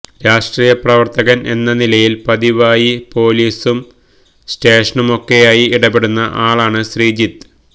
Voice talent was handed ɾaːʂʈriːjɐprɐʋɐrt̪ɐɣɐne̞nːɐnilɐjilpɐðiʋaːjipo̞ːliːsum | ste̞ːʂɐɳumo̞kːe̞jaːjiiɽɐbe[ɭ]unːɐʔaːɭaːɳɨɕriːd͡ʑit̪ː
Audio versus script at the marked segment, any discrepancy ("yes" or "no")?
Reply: yes